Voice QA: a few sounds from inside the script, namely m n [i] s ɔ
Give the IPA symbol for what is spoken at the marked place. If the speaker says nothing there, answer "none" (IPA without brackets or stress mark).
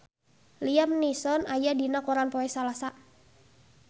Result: i